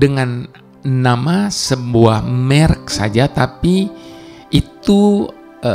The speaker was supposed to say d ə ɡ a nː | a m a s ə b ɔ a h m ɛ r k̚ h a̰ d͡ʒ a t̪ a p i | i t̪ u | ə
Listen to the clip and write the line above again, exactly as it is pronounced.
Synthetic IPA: d ə ŋ a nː | a m a s ə b u a h m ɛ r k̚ s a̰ d͡ʒ a t̪ a p i | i t̪ u | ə